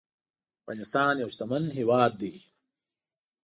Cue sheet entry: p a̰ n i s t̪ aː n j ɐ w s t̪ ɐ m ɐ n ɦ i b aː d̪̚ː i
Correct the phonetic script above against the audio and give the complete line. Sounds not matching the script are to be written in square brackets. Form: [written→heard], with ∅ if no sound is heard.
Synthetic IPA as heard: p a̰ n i s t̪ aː n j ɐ w s t̪ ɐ m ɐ n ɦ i [b→w] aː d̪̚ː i